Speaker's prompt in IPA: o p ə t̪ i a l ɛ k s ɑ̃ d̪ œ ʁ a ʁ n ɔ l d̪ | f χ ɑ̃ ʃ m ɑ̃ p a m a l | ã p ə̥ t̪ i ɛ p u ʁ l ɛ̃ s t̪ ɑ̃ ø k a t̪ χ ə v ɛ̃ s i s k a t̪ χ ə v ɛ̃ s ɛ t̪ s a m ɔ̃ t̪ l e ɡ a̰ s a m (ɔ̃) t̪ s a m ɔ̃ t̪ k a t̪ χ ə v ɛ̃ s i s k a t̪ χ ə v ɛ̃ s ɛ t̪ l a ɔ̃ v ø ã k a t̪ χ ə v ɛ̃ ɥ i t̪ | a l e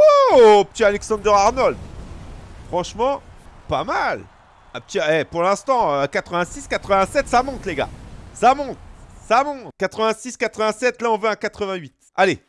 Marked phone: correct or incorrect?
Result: correct